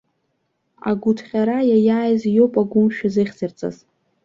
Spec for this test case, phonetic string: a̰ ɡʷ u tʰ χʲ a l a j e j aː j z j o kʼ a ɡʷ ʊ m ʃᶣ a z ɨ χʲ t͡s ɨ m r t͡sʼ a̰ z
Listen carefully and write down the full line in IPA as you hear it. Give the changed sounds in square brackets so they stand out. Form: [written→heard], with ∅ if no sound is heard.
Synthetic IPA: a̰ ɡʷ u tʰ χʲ a [l→ɾ] a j [e→a] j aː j z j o [kʼ→pʼ] a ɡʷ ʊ m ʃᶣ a z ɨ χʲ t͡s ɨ [m→∅] r t͡sʼ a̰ z